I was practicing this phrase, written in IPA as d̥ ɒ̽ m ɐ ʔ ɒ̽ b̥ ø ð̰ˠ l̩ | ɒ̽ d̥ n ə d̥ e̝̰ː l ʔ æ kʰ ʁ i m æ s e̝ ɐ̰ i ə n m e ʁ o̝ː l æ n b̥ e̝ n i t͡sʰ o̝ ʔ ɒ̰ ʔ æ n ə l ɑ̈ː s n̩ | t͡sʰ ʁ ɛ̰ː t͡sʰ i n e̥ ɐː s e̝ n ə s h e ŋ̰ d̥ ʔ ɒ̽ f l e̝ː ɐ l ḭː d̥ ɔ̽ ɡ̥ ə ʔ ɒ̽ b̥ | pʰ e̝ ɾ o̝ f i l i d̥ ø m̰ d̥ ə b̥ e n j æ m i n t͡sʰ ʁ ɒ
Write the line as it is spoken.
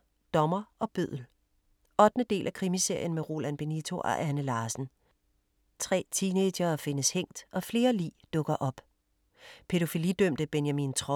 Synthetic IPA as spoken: d̥ ɒ̽ m ɐ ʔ ɒ̽ b̥ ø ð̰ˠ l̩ | ɒ̽ d̥ n ə d̥ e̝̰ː l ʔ æ kʰ ʁ i m i s e̝ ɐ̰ j ə n m e ʁ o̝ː l æ n b̥ e̝ n i t͡sʰ o̝ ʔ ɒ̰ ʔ æ n ə l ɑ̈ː s n̩ | t͡sʰ ʁ ɛ̰ː t͡sʰ i n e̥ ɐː f e̝ n ə s h e ŋ̰ d̥ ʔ ɒ̽ f l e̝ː ɐ l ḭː d̥ ɔ̽ ɡ̥ ɐ ʔ ɒ̽ b̥ | pʰ e̝ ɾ o̝ f i l i d̥ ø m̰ d̥ ə b̥ e n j æ m i n t͡sʰ ʁ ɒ